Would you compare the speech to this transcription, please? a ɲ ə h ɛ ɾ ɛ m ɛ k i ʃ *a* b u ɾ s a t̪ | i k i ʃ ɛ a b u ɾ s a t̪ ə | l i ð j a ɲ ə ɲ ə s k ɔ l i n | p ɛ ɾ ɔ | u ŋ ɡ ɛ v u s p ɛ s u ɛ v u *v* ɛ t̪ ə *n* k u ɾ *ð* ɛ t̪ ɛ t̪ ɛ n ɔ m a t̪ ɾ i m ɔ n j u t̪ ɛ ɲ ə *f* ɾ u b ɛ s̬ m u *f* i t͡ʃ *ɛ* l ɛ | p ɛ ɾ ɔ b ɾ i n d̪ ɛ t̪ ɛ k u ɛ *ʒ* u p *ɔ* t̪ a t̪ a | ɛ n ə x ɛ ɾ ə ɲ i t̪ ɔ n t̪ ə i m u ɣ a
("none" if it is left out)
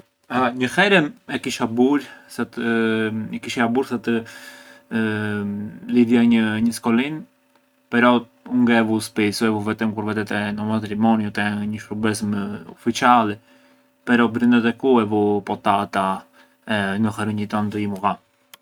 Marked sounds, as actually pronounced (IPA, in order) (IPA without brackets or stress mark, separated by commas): a, v, m, v, ʃ, f, a, v, ɔ